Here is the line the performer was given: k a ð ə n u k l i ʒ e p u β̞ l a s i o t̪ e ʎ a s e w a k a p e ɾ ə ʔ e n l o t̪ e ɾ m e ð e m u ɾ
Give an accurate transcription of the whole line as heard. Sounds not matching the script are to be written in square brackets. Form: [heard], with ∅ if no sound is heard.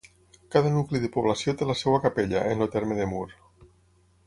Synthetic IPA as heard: k a ð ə n u k l i [ð] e p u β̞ l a s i o t̪ e [l] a s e w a k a p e [ʎ] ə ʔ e n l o t̪ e ɾ m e ð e m u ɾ